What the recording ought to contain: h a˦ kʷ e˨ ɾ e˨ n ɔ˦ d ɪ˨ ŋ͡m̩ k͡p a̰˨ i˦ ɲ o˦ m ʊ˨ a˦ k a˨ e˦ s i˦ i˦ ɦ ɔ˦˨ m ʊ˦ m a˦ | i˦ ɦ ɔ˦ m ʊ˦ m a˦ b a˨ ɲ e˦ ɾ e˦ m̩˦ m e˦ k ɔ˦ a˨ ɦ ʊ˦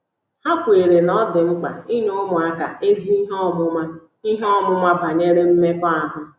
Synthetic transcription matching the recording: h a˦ kʷ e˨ ɾ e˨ n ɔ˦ d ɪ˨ ŋ͡m̩ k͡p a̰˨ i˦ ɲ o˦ m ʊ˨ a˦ k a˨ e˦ z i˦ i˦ ɦ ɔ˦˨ m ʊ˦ m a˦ | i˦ ɦ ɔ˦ m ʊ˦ m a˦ b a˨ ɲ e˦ ɾ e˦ m̩˦ m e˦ k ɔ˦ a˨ ɦ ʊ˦